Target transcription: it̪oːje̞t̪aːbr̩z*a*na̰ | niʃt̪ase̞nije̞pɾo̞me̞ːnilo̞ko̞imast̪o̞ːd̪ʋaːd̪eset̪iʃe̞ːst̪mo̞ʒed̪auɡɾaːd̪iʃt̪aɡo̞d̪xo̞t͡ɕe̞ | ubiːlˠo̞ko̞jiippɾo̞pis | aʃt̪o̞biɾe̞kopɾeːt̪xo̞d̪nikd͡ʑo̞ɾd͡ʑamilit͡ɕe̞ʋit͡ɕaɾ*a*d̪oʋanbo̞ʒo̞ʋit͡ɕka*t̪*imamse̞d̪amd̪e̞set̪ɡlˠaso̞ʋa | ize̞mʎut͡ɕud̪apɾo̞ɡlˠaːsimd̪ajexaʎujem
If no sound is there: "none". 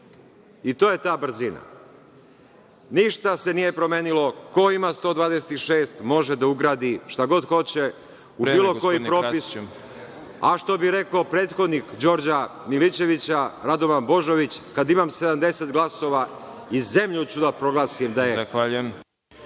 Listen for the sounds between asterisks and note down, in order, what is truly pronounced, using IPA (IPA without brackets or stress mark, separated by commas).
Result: i, a, d̪